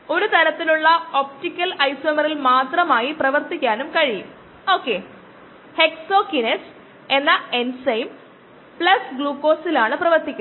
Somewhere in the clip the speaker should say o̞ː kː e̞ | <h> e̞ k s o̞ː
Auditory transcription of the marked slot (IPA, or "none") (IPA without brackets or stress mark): h